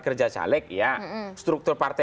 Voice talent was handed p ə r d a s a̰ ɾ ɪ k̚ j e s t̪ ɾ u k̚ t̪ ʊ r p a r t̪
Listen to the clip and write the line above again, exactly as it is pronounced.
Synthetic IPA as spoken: k ə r d͡ʒ a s a̰ l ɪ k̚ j a s t̪ ɾ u k̚ t̪ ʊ r p a r t̪